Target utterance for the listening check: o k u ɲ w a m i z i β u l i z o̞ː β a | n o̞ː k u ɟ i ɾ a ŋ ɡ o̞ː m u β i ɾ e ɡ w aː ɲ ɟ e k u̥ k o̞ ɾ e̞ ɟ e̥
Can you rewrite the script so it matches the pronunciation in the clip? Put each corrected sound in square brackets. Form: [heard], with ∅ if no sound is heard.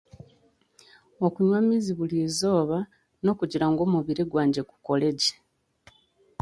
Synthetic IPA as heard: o k u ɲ w a m i z i β u l i z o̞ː β a | n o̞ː k u ɟ i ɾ a ŋ ɡ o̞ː m u β i ɾ e ɡ w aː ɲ ɟ e k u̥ k o̞ [l] e̞ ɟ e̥